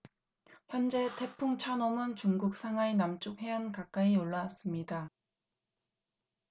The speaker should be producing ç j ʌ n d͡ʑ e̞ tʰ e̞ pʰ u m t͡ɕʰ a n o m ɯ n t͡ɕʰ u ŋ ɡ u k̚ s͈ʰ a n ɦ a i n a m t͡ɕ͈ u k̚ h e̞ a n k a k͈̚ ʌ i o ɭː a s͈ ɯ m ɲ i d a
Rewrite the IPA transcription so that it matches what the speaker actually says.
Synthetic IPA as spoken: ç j ʌ n d͡ʑ e̞ tʰ e̞ pʰ u ŋ t͡ɕʰ a n o m ɯ n t͡ɕ u ŋ ɡ u k̚ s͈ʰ a ŋ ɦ a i n a m t͡ɕ͈ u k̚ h e̞ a n k a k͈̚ a i o ɭː a s͈ ɯ m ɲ i d a